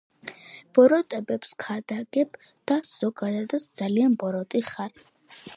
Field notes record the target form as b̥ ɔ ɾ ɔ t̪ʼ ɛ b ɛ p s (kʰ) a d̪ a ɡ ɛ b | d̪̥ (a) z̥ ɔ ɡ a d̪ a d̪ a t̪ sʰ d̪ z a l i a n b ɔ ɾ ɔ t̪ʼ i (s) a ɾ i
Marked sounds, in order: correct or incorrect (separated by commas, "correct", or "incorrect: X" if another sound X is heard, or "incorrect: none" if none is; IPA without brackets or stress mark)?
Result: correct, correct, incorrect: χ